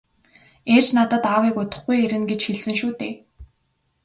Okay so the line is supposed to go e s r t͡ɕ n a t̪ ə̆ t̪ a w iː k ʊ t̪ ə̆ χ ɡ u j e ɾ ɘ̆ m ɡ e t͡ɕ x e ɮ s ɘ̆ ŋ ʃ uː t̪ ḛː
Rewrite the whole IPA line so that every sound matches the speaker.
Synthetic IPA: e r t͡ɕ n a t̪ ə̆ t̪ a w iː k ʊ t̪ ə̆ χ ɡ u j e ɾ ɘ̆ n ɡ e t͡ɕ x e ɮ s ɘ̆ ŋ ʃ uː t̪ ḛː